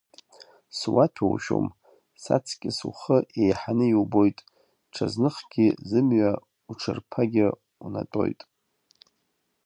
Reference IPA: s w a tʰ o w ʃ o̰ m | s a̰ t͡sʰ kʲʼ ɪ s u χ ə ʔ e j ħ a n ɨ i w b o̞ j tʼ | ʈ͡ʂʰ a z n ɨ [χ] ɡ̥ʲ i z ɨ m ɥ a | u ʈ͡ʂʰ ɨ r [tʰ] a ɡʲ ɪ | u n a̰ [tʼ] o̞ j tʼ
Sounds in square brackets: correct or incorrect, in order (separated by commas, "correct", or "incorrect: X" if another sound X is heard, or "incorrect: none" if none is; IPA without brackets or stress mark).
correct, incorrect: pʰ, correct